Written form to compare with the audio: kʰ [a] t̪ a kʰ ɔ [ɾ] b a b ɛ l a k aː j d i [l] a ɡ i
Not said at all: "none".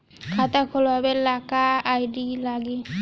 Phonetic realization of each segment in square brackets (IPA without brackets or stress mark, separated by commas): a, l, l